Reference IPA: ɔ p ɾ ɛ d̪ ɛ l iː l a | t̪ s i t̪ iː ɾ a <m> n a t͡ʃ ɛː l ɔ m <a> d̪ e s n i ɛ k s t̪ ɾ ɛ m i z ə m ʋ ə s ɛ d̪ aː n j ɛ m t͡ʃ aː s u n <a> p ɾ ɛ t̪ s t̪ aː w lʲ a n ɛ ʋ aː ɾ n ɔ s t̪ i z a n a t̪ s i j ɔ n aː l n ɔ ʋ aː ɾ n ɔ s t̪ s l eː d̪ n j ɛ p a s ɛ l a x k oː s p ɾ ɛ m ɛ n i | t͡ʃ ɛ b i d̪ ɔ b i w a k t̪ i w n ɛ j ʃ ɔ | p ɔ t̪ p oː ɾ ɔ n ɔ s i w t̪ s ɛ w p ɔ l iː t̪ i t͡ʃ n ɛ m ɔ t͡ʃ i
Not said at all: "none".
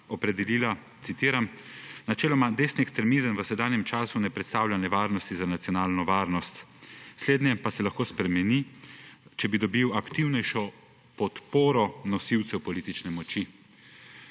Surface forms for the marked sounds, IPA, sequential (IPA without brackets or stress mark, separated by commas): m, a, ɛ